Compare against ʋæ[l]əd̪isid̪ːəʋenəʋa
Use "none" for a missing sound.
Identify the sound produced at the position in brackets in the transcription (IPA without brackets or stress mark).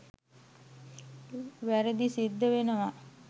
ɾ